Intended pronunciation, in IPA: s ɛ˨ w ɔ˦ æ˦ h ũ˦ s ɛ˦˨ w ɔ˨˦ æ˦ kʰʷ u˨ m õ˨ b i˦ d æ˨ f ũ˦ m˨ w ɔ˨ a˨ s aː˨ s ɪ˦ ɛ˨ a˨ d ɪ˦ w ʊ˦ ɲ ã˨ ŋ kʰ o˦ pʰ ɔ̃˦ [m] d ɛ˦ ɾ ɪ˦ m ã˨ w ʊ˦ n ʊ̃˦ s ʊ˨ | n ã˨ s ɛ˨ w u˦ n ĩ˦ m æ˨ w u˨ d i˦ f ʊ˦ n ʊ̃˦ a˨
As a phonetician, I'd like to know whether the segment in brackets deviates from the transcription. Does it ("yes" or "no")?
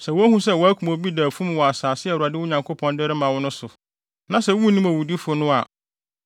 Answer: yes